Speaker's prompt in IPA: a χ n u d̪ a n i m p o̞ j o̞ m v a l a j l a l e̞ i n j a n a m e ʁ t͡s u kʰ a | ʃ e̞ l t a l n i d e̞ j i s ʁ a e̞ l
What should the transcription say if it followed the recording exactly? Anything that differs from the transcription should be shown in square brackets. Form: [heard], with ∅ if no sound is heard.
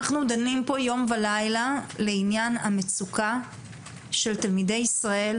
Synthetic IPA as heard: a χ n u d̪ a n i m p o̞ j o̞ m v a l a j l a l e̞ i n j a n a m e [∅] t͡s u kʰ a | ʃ e̞ l t a l [m] i d e̞ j i s ʁ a e̞ l